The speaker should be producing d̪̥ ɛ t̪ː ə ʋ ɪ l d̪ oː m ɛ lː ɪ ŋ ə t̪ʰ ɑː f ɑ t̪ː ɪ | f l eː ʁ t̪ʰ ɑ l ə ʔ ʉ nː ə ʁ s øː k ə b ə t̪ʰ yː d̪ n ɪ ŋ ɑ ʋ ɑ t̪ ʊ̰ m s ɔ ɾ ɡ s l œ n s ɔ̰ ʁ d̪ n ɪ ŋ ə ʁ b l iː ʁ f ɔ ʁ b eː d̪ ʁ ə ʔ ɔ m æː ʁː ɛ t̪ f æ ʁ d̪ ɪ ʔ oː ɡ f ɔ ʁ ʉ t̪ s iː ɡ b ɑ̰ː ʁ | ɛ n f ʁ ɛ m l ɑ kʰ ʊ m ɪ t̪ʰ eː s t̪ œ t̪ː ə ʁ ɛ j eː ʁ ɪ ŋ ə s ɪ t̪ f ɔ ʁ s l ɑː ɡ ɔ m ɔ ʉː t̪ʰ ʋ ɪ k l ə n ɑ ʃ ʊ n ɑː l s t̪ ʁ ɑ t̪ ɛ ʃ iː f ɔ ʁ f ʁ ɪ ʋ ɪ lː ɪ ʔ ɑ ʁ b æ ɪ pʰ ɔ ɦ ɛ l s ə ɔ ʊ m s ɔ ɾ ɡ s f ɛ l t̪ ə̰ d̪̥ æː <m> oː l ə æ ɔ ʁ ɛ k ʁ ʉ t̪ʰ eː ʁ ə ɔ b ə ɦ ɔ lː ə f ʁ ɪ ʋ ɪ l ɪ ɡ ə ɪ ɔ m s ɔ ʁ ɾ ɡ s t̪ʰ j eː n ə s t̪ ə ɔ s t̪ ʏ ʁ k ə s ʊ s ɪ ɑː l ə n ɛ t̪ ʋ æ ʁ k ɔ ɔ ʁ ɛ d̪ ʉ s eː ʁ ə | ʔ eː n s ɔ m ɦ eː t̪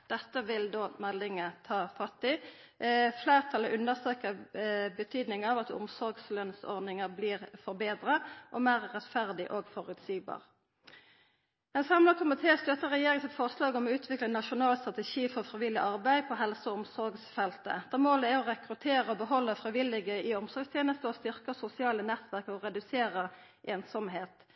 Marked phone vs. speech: correct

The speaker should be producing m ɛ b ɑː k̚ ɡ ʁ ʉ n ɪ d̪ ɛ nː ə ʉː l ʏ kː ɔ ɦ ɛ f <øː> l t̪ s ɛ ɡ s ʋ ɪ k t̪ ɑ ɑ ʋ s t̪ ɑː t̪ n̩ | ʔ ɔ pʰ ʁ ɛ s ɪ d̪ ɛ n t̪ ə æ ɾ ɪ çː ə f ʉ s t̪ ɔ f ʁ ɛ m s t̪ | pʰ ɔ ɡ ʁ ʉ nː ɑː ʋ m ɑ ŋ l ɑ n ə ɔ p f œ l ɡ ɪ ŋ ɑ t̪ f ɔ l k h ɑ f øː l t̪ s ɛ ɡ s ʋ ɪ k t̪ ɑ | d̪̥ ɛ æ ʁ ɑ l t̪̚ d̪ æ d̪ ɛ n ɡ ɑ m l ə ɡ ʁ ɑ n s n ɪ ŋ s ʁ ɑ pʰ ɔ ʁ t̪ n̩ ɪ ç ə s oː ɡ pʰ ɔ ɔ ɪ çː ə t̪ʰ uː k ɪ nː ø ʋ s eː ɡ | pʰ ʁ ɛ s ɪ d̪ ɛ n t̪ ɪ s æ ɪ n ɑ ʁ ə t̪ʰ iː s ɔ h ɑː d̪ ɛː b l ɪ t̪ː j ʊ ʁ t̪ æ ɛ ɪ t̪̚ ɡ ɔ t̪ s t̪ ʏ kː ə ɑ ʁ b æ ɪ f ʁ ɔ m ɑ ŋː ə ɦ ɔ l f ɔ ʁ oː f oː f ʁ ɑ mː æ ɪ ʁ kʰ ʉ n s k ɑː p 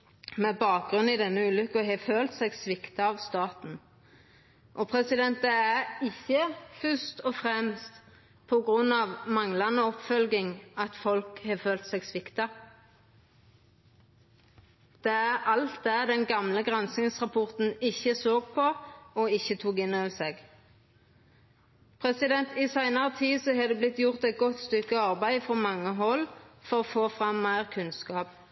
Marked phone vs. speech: correct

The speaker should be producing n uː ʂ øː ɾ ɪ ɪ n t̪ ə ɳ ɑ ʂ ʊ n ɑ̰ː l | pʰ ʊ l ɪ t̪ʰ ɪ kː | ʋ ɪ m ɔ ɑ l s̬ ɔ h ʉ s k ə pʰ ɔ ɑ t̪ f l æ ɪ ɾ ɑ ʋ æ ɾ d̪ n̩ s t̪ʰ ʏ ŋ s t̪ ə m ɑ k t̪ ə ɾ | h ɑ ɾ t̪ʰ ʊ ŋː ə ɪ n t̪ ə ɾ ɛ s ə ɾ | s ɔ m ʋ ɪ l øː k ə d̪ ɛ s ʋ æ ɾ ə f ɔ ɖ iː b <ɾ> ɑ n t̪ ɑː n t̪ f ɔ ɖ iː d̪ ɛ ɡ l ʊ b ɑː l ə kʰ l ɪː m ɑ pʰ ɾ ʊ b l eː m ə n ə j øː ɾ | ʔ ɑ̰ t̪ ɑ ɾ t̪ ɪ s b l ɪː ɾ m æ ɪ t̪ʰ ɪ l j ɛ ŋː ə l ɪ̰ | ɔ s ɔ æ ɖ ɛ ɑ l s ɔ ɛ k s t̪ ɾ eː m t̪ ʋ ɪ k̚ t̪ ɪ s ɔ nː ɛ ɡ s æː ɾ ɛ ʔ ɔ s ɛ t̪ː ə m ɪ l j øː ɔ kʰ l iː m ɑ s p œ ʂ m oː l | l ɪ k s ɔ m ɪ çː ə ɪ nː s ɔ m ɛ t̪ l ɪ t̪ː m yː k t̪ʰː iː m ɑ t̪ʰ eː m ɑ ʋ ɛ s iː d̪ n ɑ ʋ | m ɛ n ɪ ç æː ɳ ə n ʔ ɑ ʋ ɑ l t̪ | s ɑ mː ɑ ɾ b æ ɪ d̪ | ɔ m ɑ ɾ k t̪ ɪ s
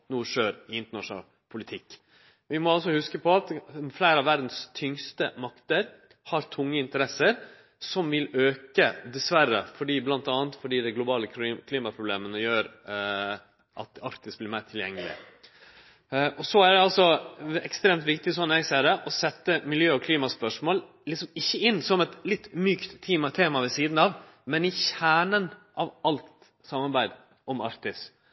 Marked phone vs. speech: incorrect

